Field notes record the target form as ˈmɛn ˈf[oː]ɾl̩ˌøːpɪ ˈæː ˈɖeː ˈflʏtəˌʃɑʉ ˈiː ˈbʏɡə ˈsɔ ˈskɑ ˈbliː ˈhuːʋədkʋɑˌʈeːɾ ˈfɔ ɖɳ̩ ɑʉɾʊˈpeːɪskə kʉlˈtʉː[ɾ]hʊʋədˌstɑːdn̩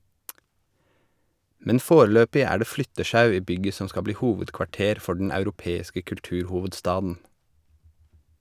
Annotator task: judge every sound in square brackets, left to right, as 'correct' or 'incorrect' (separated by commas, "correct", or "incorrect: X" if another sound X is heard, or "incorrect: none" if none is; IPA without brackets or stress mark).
correct, correct